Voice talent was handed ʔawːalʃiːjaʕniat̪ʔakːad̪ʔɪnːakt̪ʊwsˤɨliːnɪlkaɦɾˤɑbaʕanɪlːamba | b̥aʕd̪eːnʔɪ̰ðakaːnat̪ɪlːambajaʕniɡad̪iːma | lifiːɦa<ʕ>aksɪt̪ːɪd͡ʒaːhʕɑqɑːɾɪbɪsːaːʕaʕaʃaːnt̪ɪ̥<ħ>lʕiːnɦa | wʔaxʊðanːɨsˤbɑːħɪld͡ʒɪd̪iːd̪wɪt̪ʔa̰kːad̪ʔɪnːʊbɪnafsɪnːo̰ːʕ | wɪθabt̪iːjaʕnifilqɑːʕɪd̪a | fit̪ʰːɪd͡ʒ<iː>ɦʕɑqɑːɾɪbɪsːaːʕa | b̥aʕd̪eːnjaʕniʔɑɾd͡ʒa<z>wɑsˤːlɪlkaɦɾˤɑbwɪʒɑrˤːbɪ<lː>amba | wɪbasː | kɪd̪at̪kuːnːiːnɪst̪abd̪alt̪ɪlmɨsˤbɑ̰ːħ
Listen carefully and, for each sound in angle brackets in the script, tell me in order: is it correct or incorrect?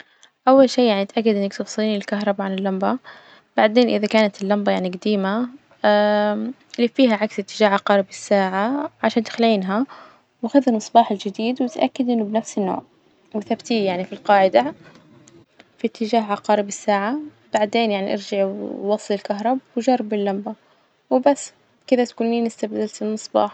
correct, incorrect, incorrect, incorrect, correct

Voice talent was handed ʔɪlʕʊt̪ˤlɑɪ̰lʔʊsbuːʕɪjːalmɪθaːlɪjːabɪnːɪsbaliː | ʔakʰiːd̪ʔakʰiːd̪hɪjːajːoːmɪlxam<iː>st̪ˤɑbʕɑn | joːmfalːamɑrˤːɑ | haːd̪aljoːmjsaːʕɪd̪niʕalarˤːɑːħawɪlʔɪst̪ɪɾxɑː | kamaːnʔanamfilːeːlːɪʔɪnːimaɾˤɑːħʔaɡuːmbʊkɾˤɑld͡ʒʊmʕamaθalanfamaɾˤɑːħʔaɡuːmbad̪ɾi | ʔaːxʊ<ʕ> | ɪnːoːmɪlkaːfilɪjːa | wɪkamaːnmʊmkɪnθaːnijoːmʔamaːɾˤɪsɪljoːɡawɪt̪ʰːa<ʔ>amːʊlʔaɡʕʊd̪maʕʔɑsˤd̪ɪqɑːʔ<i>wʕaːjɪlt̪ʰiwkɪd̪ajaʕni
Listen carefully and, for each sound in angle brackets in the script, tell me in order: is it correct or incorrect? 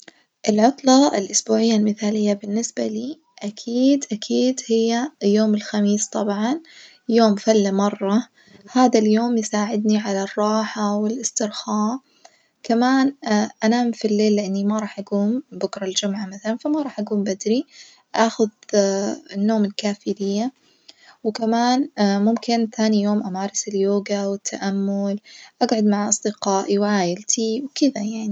correct, incorrect, correct, correct

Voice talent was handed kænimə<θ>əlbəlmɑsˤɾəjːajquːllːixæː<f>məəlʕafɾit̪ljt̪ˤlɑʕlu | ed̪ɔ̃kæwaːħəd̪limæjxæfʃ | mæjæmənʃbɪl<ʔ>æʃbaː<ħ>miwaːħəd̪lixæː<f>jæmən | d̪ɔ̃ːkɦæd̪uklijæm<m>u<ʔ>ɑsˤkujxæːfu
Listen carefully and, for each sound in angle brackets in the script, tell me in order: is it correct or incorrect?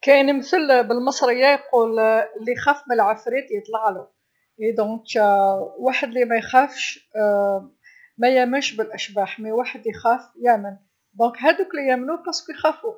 correct, correct, correct, correct, correct, incorrect, incorrect

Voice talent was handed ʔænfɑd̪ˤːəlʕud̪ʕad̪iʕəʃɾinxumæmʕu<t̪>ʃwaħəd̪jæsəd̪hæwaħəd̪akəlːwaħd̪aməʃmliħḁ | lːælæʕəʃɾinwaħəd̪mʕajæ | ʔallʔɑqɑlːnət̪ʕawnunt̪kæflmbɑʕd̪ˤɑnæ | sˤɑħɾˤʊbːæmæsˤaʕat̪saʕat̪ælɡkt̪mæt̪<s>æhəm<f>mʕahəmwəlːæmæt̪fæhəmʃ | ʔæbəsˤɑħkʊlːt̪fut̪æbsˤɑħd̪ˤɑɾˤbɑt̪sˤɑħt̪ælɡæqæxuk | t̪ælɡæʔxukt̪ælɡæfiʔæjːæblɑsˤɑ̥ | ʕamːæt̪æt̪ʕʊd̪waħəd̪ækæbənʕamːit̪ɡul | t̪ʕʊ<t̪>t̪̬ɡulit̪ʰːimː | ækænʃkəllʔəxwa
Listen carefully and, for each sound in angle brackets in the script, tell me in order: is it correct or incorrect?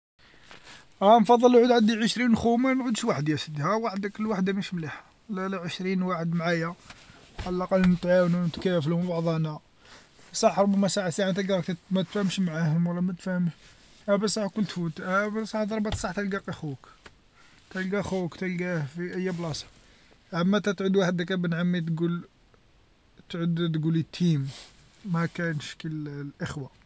incorrect, incorrect, incorrect, incorrect

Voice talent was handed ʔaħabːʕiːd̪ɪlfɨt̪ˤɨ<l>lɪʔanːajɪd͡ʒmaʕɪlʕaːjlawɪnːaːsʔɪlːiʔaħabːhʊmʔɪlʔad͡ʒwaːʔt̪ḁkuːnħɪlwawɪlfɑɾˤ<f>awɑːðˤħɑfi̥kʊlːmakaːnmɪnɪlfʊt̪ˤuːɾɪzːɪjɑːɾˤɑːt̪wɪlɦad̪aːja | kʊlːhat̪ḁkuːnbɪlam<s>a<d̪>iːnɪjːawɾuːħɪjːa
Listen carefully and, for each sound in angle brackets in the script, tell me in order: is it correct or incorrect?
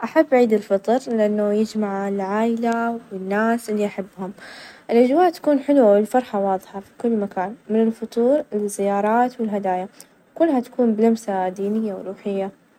incorrect, incorrect, correct, correct

